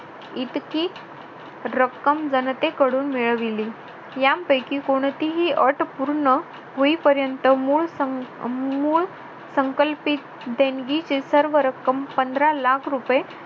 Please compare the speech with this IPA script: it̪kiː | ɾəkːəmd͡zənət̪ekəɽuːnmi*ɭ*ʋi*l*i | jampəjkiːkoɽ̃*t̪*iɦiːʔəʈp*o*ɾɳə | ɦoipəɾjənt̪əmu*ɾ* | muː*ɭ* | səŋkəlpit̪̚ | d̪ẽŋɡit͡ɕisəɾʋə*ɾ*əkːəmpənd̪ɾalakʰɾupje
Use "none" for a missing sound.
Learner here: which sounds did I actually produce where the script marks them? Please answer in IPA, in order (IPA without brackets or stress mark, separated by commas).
ɭ, l, t̪, u, ɭ, ɭ, ɾ